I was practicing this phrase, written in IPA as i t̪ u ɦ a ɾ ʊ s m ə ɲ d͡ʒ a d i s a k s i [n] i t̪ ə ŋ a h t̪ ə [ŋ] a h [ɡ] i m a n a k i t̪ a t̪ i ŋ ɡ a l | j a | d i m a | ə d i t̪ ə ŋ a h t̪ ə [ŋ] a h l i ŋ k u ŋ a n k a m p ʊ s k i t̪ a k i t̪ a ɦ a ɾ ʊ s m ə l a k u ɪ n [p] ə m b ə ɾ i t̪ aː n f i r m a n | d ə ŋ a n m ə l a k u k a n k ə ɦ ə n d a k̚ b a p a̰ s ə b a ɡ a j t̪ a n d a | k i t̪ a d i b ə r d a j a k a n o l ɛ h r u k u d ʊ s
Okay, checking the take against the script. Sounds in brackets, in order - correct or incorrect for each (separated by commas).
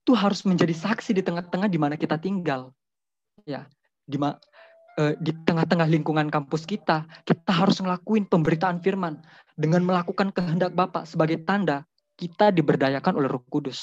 incorrect, correct, incorrect, correct, correct